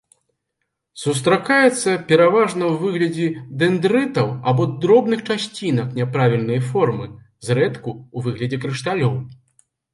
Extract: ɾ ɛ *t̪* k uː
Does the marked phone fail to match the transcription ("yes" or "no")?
no